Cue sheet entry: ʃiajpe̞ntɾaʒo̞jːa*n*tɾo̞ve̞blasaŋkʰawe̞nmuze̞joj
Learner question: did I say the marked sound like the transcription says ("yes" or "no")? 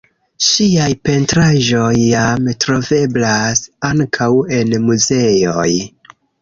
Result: no